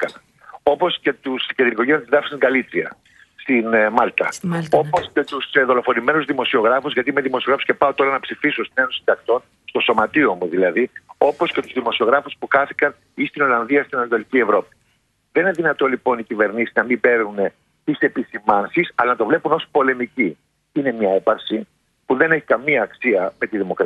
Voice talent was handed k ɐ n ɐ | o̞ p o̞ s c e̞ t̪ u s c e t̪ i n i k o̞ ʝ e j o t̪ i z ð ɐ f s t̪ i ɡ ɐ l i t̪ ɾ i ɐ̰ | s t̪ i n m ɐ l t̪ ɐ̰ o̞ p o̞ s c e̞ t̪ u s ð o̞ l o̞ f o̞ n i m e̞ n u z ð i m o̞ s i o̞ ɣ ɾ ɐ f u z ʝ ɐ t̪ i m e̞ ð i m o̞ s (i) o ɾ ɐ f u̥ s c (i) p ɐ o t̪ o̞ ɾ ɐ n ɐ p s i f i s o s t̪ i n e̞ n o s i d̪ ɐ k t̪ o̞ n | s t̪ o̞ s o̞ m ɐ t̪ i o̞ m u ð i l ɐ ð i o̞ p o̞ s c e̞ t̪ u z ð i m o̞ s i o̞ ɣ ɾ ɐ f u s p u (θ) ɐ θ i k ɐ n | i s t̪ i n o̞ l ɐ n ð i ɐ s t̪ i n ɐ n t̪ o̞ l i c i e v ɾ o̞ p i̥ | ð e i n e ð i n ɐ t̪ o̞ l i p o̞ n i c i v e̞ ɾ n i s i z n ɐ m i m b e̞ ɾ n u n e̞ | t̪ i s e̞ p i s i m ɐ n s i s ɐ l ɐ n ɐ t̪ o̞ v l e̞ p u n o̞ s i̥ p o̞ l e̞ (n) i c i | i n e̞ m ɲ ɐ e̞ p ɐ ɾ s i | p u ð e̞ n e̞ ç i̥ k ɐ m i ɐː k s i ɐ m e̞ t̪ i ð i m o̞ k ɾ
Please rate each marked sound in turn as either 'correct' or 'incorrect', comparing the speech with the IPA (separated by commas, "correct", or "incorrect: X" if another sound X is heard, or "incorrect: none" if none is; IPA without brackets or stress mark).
correct, incorrect: e, incorrect: x, incorrect: m